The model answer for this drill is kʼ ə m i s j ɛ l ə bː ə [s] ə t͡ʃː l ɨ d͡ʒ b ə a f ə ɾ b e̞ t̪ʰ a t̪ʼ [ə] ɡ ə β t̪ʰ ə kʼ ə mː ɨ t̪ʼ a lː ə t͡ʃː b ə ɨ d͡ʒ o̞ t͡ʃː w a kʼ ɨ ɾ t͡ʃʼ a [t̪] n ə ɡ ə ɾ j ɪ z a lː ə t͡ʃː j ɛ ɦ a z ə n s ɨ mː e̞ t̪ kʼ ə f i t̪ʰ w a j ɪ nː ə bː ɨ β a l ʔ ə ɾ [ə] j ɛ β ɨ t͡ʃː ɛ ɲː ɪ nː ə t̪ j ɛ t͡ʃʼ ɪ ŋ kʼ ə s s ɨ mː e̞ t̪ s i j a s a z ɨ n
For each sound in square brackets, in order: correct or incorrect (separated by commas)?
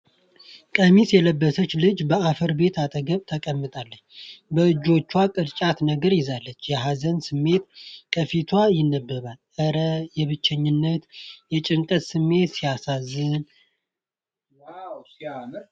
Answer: correct, correct, correct, correct